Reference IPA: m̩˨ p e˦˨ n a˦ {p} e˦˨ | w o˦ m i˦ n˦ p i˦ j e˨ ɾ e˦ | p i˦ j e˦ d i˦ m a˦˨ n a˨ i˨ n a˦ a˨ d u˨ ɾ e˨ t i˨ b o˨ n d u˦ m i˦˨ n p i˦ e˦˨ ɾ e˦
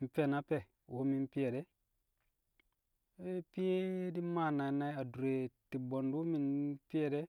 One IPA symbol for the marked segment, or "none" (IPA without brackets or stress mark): p